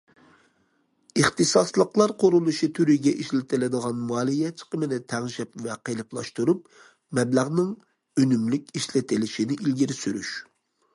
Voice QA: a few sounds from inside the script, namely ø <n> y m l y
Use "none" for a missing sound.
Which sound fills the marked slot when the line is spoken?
n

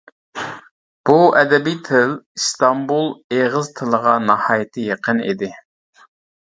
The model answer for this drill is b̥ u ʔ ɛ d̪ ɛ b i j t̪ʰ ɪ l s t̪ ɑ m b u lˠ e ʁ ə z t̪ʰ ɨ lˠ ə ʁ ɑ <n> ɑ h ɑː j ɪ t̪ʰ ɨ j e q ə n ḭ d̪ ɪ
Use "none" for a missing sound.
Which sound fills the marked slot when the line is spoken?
n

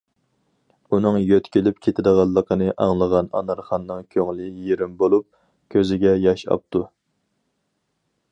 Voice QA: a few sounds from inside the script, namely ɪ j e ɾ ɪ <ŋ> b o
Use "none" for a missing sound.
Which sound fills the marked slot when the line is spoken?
m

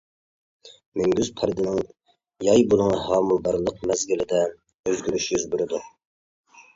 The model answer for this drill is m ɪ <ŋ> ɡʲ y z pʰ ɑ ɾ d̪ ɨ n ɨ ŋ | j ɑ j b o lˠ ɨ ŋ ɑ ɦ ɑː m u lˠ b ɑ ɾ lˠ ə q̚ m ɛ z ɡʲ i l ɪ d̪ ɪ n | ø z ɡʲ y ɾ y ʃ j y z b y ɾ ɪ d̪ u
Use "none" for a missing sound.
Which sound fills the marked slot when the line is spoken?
ŋ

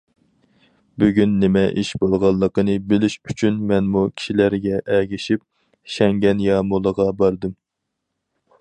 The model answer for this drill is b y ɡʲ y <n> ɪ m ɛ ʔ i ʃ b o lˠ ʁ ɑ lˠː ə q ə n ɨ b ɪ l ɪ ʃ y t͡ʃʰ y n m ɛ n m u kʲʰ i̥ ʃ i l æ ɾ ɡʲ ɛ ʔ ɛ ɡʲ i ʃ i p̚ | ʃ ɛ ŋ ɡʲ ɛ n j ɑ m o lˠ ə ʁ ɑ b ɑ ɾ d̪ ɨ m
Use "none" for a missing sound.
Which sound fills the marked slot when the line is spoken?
nː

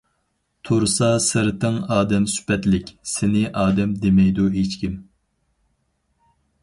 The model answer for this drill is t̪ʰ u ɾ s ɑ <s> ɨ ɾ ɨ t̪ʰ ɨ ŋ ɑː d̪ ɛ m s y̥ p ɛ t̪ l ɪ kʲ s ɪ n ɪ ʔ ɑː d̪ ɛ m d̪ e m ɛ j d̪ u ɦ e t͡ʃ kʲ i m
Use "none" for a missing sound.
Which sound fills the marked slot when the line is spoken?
s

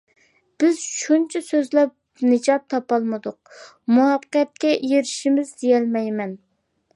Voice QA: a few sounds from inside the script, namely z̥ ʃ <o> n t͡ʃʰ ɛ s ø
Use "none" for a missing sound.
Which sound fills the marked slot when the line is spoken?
u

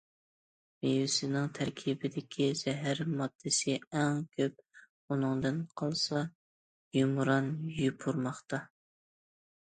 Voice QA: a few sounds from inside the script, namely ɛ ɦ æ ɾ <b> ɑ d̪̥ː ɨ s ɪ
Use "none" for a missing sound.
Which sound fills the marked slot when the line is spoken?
m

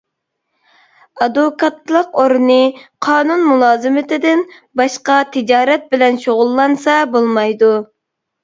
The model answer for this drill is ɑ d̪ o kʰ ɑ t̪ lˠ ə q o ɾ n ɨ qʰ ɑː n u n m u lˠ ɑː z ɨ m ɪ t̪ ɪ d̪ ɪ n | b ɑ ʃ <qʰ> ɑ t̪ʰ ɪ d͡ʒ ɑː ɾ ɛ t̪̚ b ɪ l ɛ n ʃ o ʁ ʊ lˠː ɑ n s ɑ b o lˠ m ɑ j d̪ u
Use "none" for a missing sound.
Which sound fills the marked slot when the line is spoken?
q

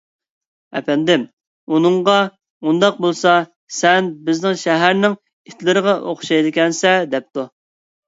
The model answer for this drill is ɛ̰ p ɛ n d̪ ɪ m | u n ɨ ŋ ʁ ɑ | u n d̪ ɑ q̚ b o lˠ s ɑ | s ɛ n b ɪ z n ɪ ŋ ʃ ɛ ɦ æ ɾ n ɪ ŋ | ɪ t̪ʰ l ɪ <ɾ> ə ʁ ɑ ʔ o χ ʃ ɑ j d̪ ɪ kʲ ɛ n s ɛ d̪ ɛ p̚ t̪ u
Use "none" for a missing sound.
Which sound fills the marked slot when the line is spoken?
ɾ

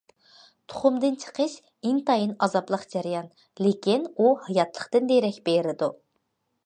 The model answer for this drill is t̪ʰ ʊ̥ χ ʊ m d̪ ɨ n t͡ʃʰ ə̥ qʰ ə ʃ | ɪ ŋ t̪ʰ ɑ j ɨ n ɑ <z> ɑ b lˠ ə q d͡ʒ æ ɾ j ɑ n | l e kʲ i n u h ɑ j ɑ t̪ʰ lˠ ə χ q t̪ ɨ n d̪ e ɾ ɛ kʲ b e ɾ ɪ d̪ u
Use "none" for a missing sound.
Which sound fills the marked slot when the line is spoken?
z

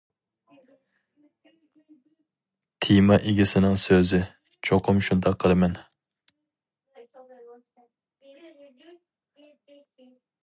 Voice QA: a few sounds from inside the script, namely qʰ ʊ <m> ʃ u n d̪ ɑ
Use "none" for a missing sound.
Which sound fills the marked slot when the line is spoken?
m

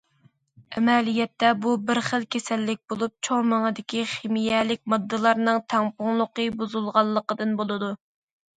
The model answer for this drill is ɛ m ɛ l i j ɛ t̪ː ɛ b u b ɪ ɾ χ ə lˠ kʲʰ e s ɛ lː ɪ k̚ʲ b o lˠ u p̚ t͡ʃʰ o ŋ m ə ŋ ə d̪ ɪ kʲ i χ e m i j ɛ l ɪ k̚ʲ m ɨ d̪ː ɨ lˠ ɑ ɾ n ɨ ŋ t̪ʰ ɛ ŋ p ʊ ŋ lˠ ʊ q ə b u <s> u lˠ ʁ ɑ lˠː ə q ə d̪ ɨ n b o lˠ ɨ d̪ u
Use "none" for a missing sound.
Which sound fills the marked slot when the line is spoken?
z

